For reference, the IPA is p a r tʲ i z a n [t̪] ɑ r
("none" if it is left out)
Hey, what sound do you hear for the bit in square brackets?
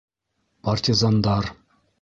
d̪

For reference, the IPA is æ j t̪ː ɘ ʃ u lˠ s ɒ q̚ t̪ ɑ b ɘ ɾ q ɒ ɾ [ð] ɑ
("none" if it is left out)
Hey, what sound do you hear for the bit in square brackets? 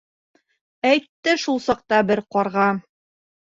ʁ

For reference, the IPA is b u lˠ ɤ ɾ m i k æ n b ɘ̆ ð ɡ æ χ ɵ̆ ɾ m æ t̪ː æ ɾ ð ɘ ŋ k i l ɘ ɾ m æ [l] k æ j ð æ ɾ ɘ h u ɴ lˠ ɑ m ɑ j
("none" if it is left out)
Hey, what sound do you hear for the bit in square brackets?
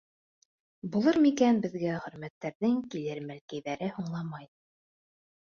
l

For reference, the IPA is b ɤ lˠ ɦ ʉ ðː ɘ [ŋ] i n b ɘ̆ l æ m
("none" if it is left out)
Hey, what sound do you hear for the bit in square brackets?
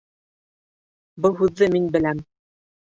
m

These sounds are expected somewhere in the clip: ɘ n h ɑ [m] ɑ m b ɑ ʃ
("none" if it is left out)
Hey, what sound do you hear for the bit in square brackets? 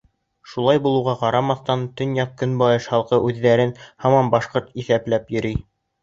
m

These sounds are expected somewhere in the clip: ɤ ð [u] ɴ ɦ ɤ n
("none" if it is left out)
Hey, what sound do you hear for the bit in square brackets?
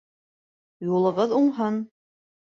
u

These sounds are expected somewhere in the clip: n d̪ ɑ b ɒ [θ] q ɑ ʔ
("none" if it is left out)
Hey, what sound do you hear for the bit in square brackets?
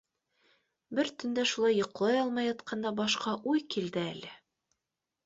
ʃ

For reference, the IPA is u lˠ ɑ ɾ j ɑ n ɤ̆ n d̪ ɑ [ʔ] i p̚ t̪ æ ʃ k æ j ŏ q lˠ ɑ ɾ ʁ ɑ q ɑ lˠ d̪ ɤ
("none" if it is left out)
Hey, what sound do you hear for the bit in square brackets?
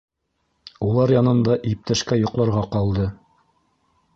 ʔ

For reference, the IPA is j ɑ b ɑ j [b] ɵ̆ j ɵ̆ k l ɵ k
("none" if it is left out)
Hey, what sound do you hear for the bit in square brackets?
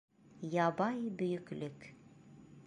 b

